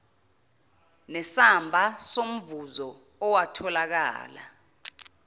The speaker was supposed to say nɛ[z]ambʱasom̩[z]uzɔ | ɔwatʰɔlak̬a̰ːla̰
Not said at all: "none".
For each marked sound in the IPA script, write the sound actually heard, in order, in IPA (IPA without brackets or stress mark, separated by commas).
s, v